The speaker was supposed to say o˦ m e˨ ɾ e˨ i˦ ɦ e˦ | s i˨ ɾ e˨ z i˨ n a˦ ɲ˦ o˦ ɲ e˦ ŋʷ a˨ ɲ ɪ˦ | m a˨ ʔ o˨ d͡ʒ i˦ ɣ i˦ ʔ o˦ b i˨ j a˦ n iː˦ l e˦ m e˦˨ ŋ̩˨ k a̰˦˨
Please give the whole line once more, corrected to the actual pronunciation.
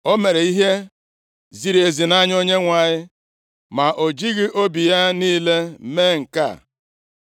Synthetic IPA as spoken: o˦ m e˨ ɾ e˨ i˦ ɦ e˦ | z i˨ ɾ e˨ z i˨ n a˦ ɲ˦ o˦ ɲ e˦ ŋʷ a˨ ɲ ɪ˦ | m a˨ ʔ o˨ d͡ʒ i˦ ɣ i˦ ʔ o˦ b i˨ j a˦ n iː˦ l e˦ m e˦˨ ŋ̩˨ k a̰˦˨